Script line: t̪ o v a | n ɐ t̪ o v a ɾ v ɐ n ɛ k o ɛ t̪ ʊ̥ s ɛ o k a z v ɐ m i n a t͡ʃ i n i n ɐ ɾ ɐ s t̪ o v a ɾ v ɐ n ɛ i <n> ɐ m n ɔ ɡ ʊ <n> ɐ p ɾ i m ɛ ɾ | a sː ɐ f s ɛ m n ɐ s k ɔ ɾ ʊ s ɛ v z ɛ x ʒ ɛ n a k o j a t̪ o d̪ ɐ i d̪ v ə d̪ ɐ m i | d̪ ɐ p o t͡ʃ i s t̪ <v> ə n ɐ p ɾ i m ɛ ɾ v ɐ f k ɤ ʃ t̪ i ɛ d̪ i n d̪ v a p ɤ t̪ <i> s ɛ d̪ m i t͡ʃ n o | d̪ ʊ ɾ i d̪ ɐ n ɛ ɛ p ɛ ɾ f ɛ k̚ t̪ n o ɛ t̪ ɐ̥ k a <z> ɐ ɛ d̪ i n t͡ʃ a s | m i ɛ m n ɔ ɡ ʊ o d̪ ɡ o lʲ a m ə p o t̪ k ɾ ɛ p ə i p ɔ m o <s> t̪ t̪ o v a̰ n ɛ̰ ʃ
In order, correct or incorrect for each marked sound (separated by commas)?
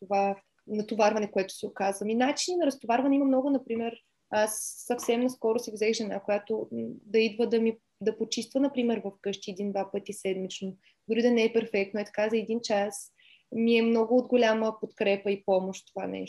incorrect, correct, correct, correct, correct, incorrect